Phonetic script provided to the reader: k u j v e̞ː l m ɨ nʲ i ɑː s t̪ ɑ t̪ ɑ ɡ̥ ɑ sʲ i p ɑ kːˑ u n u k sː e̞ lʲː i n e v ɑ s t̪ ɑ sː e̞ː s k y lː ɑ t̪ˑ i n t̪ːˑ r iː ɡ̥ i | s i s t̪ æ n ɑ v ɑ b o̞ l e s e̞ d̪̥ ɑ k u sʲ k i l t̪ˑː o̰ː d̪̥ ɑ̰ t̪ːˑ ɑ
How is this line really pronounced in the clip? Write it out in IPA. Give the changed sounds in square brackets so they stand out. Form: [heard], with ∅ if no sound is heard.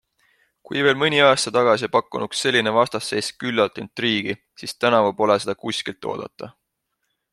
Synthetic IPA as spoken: k u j v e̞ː l m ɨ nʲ i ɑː s t̪ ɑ t̪ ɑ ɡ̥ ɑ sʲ i p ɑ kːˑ u n u k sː e̞ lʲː i n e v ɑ s t̪ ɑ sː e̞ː s k y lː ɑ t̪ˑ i n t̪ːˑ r iː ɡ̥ i | s i s t̪ æ n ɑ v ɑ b o̞ l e s e̞ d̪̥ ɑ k u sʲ k i l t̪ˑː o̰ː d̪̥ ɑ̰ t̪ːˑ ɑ